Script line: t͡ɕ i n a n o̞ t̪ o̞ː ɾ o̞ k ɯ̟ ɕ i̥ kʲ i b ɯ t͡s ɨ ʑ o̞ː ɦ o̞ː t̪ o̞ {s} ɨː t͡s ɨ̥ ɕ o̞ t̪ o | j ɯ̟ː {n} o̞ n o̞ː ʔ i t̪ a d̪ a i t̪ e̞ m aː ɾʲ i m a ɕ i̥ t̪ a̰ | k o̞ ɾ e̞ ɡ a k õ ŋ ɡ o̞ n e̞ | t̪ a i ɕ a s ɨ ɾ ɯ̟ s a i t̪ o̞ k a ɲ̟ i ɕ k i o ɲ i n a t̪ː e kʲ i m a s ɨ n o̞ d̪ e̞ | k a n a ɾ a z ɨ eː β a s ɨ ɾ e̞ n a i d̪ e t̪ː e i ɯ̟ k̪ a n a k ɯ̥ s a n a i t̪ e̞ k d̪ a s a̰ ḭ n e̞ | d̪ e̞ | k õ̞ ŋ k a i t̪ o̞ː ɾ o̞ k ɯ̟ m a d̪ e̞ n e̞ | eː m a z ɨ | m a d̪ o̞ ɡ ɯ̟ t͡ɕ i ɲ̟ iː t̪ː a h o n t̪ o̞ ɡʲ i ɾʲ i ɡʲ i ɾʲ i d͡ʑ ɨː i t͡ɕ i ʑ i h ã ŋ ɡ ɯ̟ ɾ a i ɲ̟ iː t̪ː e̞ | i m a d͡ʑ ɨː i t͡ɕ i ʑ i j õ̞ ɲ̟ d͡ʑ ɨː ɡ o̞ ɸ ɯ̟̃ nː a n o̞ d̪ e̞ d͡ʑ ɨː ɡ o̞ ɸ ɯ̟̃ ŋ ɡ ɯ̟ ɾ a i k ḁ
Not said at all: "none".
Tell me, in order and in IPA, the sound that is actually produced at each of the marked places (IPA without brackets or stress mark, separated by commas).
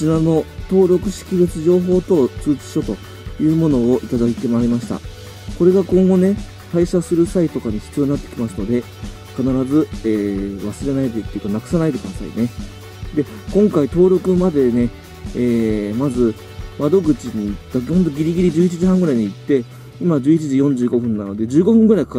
t͡s, m